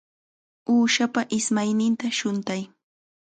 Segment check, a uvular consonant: absent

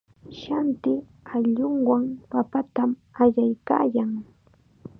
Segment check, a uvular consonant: absent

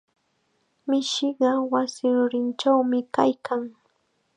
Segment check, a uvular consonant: present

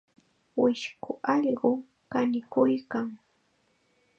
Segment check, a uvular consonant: present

